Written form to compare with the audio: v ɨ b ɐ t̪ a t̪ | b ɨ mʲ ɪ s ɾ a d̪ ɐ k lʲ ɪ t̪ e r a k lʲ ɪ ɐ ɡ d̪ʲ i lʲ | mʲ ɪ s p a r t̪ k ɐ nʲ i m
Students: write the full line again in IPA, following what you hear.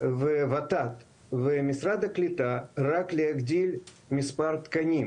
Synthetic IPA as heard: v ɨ v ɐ t̪ a t̪ | v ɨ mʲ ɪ s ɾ a d̪ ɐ k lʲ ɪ t̪ a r a k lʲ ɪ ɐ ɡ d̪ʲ i lʲ | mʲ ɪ s p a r t̪ k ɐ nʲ i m